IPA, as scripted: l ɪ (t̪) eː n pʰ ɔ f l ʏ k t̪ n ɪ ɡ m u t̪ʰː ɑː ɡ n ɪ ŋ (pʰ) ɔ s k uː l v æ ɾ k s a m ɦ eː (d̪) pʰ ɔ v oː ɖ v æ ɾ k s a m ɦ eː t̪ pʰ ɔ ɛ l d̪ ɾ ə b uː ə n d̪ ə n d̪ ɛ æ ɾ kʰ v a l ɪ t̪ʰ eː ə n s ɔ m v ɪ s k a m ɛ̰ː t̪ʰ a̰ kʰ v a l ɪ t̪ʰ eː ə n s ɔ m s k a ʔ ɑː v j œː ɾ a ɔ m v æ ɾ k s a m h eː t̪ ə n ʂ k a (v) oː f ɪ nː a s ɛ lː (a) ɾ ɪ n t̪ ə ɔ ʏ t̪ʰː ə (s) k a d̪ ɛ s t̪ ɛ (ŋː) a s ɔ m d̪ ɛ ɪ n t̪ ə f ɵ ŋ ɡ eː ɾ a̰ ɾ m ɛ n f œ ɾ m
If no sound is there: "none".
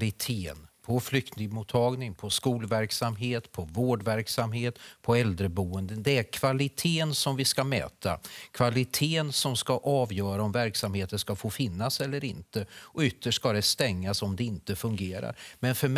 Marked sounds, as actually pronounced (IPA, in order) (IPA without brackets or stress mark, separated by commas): t̪ʰ, pʰ, t̪, f, ə, ʂ, ŋː